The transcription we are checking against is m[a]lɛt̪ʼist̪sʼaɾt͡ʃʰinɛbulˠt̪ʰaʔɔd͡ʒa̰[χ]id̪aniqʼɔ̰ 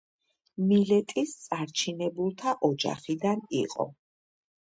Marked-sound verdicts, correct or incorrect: incorrect: i, correct

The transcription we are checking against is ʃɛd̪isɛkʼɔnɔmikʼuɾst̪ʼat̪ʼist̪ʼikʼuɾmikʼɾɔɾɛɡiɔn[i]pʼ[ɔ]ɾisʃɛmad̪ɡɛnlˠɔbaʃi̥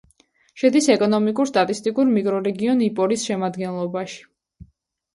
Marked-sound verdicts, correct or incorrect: correct, correct

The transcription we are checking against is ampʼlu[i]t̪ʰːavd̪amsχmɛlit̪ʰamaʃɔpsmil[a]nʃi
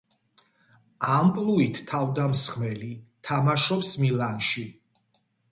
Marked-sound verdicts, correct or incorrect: correct, correct

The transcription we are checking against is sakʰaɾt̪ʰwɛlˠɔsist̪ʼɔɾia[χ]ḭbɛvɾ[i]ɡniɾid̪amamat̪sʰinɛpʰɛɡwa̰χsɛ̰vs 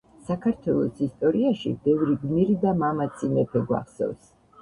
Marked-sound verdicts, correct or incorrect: incorrect: ʃ, correct

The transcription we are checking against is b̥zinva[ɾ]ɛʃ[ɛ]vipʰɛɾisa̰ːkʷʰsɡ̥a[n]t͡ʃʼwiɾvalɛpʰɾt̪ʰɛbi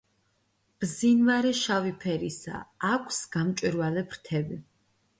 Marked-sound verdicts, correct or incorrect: correct, incorrect: a, incorrect: m

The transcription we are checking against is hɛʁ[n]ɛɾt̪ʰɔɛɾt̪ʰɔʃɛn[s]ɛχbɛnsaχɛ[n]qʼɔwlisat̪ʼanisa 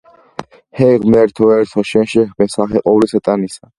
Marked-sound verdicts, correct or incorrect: incorrect: m, incorrect: ʃ, incorrect: none

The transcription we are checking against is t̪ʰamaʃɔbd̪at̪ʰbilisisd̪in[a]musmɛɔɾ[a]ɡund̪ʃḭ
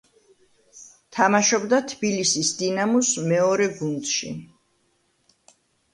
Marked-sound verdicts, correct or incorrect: correct, incorrect: ɛ

